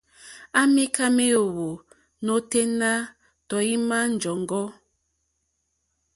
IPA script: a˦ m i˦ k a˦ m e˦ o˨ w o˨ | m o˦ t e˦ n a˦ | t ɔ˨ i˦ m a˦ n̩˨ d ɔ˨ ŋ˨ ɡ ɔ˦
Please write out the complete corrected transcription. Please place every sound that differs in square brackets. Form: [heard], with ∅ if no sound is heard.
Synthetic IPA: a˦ m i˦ k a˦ m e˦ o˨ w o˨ | [n] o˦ t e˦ n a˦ | t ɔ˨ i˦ m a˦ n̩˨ [d͡ʒ] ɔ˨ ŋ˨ ɡ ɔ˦